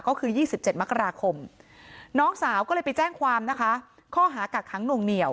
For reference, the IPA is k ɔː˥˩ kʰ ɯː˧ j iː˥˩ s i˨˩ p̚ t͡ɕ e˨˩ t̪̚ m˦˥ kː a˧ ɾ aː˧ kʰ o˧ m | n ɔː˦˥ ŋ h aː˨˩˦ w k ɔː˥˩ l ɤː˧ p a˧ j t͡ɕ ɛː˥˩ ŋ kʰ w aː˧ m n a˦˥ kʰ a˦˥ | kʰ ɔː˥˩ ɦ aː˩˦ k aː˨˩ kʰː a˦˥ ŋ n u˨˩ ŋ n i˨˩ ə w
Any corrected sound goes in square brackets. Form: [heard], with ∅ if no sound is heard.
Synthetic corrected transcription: k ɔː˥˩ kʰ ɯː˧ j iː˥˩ s i˨˩ p̚ t͡ɕ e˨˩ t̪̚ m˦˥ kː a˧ ɾ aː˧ kʰ o˧ m | n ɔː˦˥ ŋ [s] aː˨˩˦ w k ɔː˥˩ l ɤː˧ p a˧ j t͡ɕ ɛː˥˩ ŋ kʰ w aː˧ m n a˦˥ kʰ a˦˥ | kʰ ɔː˥˩ ɦ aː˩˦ k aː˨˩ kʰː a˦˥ ŋ n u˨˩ ŋ n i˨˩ ə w